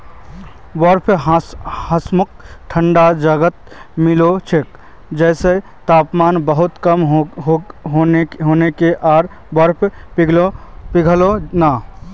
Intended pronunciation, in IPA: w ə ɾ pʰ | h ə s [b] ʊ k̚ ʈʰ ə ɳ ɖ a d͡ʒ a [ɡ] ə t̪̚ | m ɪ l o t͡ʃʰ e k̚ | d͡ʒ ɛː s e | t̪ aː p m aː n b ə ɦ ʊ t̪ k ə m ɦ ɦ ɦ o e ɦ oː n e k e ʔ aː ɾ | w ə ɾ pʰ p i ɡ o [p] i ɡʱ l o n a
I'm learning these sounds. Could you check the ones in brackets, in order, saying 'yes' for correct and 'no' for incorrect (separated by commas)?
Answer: no, yes, yes